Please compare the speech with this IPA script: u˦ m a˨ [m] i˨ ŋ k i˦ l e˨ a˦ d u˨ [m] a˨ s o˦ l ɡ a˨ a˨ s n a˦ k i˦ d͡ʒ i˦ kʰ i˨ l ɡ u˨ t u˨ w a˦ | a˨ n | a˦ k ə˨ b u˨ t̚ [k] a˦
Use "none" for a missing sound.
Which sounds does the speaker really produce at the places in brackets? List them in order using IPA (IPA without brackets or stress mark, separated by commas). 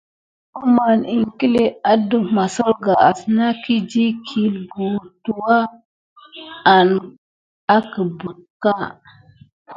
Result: n, m, k